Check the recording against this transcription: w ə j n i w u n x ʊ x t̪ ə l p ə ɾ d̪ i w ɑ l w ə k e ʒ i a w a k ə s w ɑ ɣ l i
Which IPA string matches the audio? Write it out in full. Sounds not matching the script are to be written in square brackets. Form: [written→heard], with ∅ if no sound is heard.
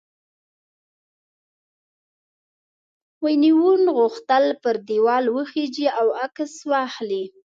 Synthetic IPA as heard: w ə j n i w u n [x→ɣ] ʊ x t̪ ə l p ə ɾ d̪ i w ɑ l w ə [k→x] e [ʒ→d͡ʒ] i a w a k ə s w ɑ [ɣ→x] l i